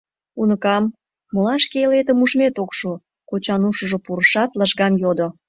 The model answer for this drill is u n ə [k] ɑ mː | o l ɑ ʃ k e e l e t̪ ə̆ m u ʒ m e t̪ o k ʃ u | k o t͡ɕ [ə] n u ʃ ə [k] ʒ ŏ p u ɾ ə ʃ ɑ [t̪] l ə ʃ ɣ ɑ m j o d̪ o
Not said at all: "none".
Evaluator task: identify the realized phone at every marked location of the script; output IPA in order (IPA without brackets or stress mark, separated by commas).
k, ɑ, none, t̪